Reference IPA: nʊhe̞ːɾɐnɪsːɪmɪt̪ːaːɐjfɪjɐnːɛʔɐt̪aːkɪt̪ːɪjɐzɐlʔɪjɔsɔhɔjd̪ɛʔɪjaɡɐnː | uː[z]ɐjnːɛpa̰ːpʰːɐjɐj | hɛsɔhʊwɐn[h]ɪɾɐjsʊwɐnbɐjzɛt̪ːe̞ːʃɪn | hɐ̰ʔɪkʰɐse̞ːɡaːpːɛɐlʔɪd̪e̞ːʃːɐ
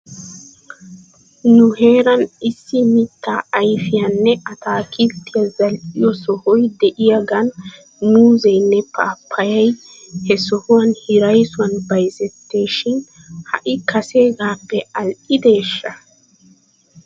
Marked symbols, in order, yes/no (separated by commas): yes, yes